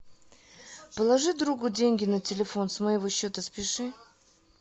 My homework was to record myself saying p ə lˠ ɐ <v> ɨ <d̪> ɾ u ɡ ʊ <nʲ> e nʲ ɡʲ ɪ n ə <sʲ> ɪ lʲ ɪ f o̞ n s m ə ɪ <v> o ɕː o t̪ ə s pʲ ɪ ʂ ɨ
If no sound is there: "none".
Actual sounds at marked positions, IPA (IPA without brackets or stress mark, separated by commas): ʐ, d̪, dʲ, tʲ, v